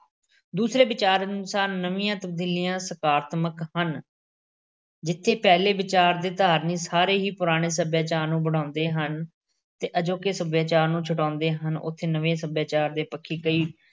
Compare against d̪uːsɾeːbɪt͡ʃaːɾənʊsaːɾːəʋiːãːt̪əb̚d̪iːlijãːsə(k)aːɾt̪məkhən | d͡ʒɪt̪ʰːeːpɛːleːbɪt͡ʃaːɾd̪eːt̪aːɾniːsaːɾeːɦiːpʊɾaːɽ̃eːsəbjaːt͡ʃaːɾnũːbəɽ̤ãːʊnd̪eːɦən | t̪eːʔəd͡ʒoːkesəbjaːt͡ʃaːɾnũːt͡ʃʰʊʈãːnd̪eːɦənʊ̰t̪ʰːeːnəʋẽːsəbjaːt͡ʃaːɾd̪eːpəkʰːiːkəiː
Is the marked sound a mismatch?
no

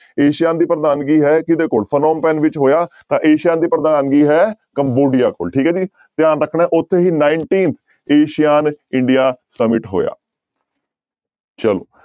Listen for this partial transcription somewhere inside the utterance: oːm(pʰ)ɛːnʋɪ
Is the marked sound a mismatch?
yes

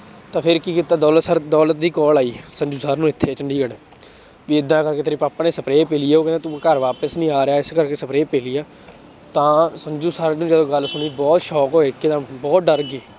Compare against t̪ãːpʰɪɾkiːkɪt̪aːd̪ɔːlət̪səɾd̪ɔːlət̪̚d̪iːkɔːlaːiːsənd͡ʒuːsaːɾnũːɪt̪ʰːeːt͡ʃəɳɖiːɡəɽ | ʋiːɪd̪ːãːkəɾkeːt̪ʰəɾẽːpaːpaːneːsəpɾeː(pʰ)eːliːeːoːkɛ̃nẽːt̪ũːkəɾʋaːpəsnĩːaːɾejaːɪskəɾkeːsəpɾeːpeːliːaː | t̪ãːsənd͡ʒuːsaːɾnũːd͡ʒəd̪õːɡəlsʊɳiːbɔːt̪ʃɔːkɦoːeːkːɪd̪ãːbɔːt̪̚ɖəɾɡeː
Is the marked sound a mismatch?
yes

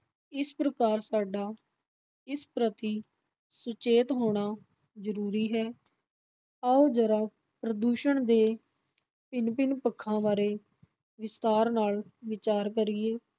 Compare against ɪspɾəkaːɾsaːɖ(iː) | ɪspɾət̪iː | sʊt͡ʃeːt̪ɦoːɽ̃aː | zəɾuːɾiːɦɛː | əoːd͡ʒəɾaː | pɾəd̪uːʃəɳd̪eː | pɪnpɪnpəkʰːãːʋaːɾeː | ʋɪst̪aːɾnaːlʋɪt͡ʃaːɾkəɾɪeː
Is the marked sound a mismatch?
yes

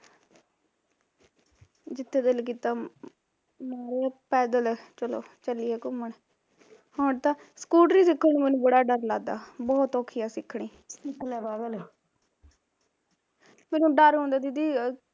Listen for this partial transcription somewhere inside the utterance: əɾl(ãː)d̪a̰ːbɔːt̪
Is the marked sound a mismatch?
yes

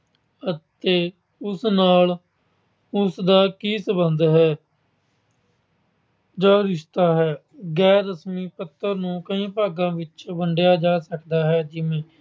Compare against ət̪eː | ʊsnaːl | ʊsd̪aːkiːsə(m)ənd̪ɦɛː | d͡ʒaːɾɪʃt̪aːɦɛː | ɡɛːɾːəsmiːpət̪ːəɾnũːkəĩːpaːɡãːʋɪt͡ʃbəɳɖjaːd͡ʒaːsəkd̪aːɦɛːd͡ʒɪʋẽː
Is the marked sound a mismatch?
yes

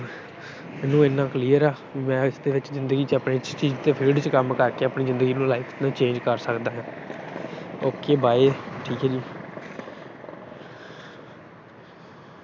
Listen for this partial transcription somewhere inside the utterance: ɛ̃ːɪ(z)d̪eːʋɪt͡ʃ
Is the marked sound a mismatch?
yes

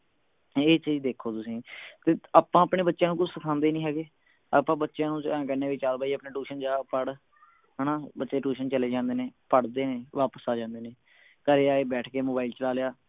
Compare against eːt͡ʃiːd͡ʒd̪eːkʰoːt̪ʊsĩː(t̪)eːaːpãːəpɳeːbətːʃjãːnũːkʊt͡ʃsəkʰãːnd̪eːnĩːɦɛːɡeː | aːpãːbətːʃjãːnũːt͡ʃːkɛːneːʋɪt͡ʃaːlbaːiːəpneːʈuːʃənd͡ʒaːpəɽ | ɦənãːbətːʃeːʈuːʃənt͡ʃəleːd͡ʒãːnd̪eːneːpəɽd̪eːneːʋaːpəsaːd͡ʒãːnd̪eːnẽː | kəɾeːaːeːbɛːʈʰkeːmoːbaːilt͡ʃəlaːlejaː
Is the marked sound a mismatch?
no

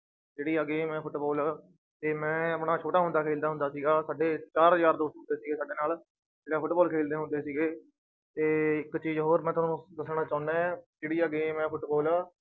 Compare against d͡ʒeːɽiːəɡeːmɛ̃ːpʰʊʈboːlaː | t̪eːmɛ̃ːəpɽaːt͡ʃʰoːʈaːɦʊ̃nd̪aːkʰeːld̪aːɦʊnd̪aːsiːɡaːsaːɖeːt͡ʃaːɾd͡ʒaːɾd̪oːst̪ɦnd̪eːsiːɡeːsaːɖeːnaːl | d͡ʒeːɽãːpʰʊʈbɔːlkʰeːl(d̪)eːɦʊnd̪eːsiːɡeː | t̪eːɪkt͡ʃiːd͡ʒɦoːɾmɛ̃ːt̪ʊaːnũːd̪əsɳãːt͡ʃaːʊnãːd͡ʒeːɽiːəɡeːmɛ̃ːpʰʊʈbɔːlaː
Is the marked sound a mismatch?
no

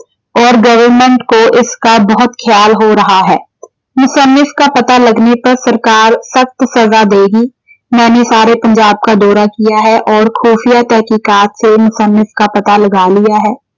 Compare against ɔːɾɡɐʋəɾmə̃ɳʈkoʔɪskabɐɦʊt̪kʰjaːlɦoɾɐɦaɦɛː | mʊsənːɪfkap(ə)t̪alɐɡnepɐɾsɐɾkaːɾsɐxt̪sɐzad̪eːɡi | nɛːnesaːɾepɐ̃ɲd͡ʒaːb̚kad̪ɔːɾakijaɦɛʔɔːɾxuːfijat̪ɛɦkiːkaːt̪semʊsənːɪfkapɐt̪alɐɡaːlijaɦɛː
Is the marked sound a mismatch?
yes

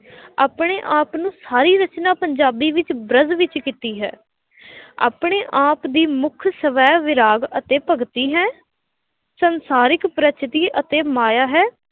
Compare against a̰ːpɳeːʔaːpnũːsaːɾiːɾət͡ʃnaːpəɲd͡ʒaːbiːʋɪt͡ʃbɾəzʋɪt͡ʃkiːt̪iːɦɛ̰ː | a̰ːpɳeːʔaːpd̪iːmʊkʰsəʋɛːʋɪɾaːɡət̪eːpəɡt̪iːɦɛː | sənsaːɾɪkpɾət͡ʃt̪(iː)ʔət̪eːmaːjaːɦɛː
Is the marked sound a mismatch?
no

